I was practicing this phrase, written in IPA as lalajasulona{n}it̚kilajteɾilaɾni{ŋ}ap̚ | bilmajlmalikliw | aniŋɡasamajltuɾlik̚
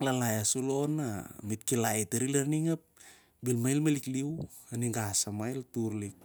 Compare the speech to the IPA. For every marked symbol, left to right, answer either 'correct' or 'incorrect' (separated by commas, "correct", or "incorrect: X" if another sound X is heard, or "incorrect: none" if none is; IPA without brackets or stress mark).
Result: incorrect: m, correct